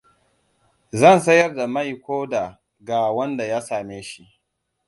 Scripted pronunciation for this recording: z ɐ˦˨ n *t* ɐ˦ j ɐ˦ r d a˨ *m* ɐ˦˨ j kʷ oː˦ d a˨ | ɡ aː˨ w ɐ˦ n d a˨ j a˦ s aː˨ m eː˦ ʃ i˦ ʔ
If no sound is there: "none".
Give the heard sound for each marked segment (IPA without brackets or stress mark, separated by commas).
s, m